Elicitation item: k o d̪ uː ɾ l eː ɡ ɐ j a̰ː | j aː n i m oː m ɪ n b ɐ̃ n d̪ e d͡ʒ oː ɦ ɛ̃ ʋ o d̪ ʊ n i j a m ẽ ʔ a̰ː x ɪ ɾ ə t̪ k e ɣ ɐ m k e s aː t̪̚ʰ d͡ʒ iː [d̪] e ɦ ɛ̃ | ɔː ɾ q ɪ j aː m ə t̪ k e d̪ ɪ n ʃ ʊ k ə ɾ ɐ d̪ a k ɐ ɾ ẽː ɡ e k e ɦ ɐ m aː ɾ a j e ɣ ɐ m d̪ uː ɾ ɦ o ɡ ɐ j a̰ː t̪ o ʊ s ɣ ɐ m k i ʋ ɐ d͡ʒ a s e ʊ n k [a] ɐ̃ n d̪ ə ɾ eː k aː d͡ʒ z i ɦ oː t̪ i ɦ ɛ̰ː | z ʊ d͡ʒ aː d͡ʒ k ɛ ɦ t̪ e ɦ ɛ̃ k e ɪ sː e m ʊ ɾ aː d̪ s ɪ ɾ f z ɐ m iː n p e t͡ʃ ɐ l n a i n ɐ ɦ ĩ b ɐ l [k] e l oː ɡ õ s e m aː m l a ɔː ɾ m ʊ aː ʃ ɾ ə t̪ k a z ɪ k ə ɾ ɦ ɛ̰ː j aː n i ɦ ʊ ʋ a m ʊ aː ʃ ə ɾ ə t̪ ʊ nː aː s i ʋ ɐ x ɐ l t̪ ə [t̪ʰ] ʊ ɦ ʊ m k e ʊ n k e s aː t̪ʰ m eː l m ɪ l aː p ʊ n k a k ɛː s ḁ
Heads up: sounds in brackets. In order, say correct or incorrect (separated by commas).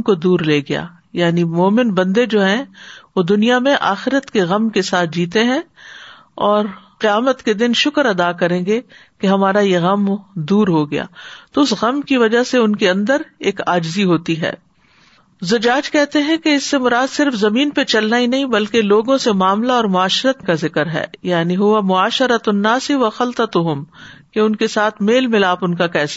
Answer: incorrect, incorrect, correct, incorrect